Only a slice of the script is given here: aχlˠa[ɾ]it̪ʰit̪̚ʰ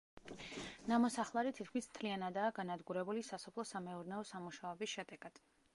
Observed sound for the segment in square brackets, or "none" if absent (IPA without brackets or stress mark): ɾ